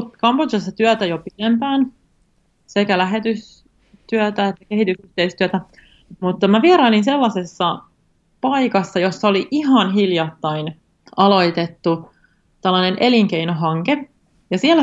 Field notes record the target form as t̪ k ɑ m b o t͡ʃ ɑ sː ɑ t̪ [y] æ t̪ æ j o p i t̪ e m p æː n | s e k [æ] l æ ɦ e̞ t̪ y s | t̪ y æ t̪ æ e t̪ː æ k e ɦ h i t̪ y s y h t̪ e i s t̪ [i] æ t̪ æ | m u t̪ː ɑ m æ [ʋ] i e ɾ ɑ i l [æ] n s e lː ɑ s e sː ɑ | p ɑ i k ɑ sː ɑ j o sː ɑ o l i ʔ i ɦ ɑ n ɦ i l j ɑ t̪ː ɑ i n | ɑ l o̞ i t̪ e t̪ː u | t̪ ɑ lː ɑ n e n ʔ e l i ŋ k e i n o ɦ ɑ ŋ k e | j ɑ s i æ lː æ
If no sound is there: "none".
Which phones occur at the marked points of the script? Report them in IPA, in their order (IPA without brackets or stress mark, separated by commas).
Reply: y, æ, y, ʋ, i